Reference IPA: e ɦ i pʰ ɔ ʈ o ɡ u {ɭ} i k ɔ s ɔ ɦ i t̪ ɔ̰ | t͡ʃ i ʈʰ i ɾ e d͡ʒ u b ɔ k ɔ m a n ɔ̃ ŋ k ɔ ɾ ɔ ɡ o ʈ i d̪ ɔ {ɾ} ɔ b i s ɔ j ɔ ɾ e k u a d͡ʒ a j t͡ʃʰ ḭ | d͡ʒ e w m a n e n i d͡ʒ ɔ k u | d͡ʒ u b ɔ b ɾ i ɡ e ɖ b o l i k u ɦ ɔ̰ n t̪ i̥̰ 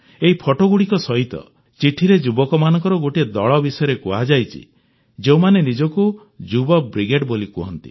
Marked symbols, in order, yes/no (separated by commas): no, no